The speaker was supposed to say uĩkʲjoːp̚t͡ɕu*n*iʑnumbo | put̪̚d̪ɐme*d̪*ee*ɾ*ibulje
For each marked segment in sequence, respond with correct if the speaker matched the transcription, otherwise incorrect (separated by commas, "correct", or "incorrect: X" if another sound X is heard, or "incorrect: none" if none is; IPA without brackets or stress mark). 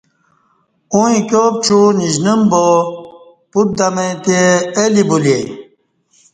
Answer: correct, incorrect: t̪, incorrect: l